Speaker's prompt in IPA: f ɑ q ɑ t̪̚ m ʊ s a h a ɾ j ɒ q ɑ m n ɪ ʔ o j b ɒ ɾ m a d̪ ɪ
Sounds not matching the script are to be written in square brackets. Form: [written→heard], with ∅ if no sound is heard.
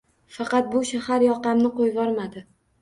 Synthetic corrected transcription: f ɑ q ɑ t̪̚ [m→b] ʊ [s→ʃ] a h a ɾ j ɒ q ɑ m n ɪ [ʔ→q] o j [b→v] ɒ ɾ m a d̪ ɪ